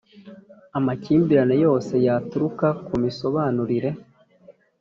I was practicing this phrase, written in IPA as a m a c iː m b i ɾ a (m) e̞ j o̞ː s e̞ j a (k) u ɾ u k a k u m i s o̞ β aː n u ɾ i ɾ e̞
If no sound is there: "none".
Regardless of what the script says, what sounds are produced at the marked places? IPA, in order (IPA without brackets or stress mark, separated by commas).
n, t